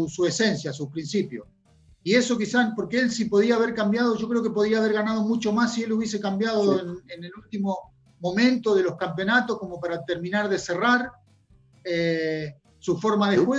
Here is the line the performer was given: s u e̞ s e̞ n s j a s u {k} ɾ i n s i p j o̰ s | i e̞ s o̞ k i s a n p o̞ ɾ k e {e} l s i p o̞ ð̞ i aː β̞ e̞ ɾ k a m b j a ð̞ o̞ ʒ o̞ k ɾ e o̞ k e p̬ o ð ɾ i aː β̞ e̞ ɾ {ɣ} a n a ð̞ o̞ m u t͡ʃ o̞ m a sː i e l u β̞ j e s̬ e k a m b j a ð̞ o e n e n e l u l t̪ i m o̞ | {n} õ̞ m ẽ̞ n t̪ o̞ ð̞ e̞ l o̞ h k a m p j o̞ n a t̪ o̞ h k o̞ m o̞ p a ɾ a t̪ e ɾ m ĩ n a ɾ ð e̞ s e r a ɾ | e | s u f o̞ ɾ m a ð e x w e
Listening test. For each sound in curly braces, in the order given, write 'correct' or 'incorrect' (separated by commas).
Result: incorrect, correct, correct, incorrect